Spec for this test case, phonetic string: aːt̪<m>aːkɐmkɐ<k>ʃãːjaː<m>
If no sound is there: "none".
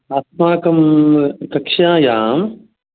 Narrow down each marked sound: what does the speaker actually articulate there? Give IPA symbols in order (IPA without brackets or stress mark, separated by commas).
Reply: m, k, m